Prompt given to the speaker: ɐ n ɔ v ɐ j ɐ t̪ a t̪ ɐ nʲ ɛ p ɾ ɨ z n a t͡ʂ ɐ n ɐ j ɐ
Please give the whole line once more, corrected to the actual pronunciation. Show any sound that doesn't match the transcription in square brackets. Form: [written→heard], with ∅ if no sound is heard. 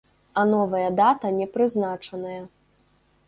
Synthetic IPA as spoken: ɐ n ɔ v ɐ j ɐ [t̪→d̪] a t̪ ɐ nʲ ɛ p ɾ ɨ z n a t͡ʂ ɐ n ɐ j ɐ